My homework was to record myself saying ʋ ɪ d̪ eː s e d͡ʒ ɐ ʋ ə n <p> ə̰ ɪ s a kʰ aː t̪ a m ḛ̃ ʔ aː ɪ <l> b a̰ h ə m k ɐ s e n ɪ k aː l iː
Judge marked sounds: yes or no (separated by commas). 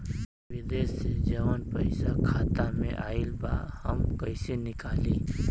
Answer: yes, yes